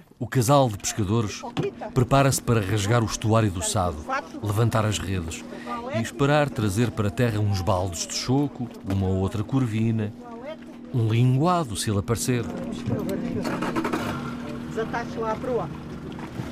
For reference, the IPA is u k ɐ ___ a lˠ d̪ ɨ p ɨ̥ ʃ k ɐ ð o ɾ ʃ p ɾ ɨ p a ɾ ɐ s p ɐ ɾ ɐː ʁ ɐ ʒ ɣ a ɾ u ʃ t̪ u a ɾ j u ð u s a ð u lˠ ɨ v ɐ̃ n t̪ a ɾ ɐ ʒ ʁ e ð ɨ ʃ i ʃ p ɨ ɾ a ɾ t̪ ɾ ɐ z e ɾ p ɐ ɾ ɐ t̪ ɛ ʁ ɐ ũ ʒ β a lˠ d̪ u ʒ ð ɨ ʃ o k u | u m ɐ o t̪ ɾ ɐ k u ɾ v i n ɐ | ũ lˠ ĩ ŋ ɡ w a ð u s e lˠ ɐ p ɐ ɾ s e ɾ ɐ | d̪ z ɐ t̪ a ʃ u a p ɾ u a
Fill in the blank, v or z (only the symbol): z